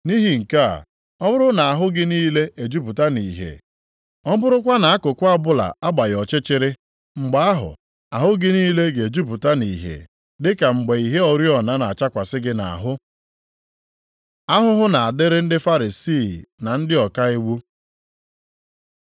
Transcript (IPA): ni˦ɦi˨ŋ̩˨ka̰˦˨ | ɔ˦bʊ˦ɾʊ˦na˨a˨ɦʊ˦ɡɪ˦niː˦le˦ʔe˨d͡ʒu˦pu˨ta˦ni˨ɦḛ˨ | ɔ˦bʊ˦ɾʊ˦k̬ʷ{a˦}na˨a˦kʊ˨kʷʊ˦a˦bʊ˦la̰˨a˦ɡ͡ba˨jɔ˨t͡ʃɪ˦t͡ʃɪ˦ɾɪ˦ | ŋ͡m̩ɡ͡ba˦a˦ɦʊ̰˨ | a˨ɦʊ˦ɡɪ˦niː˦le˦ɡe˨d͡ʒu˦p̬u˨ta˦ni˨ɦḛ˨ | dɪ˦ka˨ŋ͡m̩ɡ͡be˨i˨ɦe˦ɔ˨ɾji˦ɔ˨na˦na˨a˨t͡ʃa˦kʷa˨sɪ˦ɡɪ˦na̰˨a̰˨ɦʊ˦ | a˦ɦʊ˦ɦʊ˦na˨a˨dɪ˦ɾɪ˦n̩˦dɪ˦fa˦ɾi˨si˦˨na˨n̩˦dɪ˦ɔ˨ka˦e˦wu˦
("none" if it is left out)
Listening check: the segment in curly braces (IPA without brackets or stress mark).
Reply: a˦